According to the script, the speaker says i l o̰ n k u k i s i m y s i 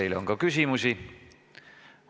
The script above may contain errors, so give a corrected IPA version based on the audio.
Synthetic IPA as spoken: i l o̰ ŋ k o k y s i m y s i